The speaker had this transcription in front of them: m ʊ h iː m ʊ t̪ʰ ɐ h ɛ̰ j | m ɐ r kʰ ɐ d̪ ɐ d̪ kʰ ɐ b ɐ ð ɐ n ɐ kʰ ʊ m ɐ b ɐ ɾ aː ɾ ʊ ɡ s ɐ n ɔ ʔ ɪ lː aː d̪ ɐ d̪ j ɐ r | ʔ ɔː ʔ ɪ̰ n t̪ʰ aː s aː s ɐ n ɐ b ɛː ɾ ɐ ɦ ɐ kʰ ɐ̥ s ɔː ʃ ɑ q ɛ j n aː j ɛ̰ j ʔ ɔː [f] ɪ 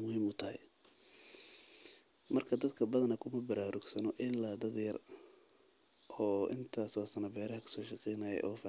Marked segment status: correct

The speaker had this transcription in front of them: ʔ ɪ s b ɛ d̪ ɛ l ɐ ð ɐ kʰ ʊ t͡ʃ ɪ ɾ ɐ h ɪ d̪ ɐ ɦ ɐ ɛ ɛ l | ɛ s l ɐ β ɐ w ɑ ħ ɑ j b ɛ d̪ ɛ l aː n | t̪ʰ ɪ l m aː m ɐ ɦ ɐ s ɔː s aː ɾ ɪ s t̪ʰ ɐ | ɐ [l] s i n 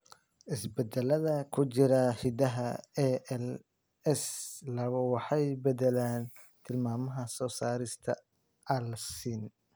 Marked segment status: correct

